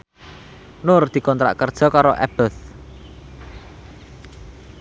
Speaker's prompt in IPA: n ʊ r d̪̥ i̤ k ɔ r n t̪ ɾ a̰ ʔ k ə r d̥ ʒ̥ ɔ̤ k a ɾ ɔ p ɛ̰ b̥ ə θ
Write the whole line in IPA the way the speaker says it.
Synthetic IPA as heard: n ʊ r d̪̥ i̤ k ɔ n t̪ ɾ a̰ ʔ k ə r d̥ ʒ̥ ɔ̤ k a ɾ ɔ ʔ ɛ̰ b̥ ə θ